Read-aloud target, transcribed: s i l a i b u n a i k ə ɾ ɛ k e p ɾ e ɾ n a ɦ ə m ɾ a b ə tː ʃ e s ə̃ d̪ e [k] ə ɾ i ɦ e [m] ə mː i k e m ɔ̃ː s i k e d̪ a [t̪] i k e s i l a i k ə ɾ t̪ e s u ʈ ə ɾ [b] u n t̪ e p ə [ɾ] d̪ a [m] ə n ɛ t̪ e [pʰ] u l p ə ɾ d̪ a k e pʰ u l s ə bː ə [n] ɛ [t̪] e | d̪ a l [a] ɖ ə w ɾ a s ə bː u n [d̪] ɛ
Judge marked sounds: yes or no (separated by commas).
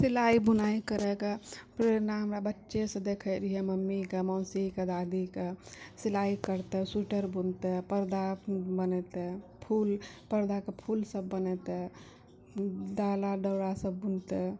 no, yes, no, yes, yes, no, yes, yes, yes, yes, no